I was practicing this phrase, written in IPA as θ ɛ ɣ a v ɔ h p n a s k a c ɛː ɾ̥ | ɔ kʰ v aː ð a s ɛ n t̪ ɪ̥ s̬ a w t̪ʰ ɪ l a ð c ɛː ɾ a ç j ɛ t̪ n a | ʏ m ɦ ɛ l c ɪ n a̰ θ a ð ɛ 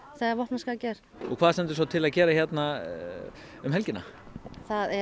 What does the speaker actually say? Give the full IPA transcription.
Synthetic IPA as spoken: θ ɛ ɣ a v ɔ h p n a s k a c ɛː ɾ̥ | ɔ kʰ v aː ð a s ɛ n t̪ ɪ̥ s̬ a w t̪ʰ ɪ l a ð c ɛː ɾ a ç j ɛ t̪ n a | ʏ m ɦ ɛ l c ɪ n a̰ θ a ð ɛ